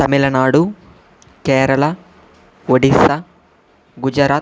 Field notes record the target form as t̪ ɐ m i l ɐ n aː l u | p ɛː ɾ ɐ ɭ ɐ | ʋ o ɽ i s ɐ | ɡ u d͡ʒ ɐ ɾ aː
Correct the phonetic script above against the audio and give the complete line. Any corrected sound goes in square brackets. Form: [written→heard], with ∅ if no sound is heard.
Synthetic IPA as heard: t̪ ɐ m i l ɐ n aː [l→ɽ] u | [p→k] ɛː ɾ ɐ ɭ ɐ | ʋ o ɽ i s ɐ | ɡ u d͡ʒ ɐ ɾ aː